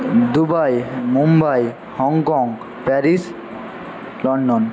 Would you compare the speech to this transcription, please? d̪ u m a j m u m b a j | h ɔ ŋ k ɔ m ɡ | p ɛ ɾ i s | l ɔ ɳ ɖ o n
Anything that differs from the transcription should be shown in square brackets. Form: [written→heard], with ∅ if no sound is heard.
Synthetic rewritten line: d̪ u [m→b] a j m u m b a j | h ɔ ŋ k ɔ [m→ŋ] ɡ | p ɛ ɾ i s | l ɔ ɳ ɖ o n

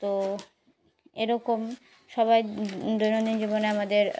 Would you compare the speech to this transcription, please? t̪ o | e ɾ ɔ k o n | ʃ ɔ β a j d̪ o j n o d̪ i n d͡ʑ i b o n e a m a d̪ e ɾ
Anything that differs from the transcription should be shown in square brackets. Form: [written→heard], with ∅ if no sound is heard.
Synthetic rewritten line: t̪ o | e ɾ ɔ k o [n→m] | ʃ ɔ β a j d̪ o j n o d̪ i n d͡ʑ i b o n e a m a d̪ e ɾ

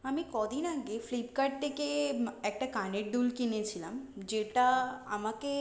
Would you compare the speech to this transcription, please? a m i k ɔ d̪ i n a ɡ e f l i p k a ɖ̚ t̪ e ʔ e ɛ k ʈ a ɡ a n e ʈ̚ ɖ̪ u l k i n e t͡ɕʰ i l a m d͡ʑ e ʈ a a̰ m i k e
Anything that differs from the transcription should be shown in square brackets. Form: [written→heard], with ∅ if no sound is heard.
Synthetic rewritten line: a m i k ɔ d̪ i n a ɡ e f l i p k a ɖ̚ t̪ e [ʔ→k] e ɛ k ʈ a [ɡ→k] a n e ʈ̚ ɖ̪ u l k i n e t͡ɕʰ i l a m d͡ʑ e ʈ a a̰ m [i→a] k e

